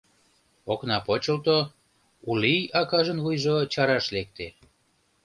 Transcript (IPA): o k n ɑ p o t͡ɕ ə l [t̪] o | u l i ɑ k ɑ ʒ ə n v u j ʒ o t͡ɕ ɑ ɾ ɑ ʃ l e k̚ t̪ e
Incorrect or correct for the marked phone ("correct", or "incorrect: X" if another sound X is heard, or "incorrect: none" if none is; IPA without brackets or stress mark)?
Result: correct